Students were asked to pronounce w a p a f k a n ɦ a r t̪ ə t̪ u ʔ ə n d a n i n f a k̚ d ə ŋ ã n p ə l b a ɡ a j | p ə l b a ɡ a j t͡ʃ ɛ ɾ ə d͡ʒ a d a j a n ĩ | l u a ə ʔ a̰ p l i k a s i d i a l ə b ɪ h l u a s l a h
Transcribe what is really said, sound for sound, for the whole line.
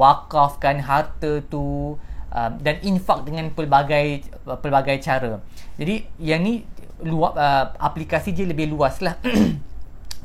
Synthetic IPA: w a k a f k a n ɦ a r t̪ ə t̪ u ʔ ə m d a n i n f a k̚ d ə ŋ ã n p ə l b a ɡ a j | p ə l b a ɡ a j t͡ʃ a ɾ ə d͡ʒ a d i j a n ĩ | l u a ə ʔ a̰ p l i k a s i d i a l ə b ɪ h l u a s l a h